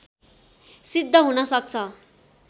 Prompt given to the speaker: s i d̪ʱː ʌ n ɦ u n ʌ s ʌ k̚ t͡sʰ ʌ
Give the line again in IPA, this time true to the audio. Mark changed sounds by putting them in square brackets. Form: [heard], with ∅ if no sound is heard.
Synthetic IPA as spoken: s i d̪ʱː ʌ [∅] ɦ u n ʌ s ʌ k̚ t͡sʰ ʌ